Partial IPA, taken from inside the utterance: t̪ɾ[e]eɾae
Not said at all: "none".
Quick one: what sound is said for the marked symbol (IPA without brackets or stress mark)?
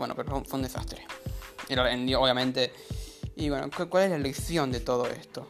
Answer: e